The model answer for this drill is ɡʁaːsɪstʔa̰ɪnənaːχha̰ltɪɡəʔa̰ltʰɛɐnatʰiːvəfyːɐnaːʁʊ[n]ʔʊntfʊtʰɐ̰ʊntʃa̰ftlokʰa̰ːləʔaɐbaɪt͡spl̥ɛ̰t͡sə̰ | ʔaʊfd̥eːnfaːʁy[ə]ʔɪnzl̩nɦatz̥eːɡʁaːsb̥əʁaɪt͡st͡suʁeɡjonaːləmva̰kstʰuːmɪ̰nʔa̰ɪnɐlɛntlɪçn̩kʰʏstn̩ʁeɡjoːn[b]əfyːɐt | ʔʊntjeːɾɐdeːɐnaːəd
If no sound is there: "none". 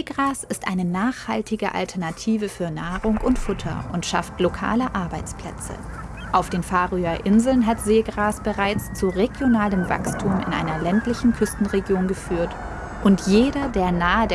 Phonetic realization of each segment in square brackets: ŋ, ɐ, ɡ

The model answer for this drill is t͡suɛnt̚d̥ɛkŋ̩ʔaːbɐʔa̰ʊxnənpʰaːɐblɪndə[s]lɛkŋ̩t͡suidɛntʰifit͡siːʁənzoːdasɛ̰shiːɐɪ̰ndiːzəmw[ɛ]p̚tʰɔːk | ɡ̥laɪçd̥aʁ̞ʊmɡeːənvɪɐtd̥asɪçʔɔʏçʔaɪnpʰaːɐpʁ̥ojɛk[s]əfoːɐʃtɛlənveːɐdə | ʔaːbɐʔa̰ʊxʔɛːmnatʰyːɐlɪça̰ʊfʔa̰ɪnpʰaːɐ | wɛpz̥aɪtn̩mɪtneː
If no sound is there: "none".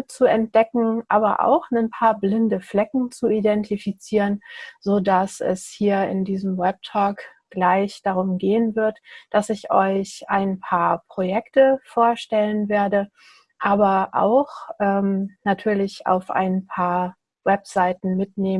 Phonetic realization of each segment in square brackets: f, ɛ, t

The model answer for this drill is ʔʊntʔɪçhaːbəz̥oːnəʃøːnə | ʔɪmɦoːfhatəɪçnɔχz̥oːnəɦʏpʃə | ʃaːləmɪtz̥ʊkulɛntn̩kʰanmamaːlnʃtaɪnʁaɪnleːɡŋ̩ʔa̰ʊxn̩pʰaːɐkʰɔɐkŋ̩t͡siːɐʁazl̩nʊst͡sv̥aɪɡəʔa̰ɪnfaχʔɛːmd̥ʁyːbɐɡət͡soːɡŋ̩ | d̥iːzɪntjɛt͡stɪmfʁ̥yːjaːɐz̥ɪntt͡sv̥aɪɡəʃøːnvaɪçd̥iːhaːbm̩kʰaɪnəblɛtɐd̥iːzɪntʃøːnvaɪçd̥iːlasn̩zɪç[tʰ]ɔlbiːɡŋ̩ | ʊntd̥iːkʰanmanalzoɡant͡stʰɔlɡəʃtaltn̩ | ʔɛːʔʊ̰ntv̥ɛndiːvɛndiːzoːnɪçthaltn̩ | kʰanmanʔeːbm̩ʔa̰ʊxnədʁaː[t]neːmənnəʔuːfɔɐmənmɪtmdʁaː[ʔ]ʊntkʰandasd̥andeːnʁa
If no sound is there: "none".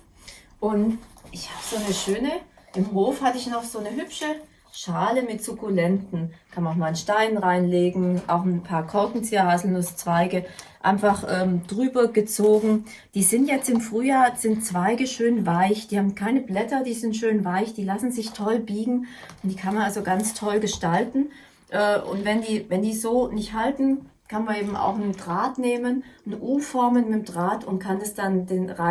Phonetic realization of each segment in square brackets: tʰ, t, t

